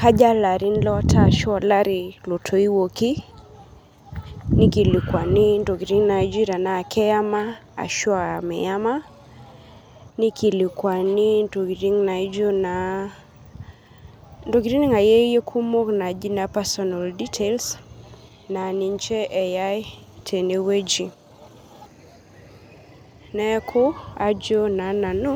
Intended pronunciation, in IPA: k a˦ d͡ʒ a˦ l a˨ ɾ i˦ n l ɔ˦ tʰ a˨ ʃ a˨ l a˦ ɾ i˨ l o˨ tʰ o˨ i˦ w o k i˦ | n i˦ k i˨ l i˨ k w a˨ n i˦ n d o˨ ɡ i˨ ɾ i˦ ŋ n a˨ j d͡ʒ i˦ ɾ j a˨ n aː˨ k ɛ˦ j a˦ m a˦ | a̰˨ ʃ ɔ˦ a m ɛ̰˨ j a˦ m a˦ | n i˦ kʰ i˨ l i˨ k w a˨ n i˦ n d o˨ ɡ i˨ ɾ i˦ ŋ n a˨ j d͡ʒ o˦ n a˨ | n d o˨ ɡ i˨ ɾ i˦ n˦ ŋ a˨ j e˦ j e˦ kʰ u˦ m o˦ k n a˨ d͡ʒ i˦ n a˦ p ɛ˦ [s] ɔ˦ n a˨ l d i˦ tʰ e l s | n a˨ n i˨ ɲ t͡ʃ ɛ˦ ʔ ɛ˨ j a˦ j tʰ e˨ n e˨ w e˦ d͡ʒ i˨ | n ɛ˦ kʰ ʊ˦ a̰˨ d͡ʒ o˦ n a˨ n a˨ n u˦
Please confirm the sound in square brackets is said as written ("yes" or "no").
yes